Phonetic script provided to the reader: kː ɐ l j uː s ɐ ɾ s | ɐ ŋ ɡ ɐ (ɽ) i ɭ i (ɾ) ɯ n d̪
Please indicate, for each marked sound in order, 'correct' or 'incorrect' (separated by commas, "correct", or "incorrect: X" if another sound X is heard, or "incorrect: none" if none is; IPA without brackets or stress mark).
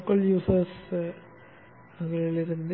incorrect: ɭ, correct